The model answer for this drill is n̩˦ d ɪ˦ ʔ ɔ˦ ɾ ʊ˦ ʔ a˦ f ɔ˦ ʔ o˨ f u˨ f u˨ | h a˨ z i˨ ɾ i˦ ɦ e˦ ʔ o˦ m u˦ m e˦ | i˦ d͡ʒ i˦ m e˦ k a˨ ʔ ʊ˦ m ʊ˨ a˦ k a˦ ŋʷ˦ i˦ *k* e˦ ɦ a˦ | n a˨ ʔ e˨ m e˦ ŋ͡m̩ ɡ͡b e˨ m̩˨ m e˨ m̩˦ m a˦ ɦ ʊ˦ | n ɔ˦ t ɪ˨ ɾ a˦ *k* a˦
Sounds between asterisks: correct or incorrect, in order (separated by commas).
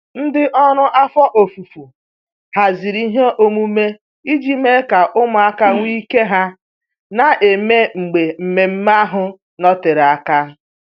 correct, correct